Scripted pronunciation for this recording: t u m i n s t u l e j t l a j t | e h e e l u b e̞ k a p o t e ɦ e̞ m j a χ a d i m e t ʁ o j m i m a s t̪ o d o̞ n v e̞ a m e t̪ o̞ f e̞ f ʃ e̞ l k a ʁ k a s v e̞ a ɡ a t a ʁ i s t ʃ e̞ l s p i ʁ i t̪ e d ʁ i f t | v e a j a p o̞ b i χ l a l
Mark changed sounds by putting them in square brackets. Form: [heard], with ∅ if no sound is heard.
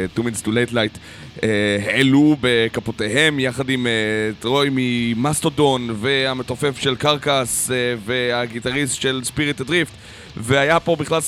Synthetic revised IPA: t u m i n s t u l e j t l a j t | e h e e l u b e̞ k a p o t e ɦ e̞ m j a χ a d i m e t ʁ o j m i m a s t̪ o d o̞ n v e̞ a m e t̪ o̞ f e̞ f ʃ e̞ l k a ʁ k a s v e̞ a ɡ [i] t a ʁ i s t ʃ e̞ l s p i ʁ i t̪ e d ʁ i f t | v e a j a p o̞ b i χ l a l